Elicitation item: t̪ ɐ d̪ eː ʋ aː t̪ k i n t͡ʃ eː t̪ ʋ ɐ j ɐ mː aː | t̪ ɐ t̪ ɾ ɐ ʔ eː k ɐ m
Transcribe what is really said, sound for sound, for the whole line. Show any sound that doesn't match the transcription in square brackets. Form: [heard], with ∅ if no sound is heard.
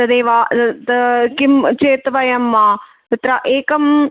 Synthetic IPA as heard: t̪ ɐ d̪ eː ʋ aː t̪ k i [m] t͡ʃ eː t̪ ʋ ɐ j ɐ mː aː | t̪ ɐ t̪ ɾ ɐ ʔ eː k ɐ m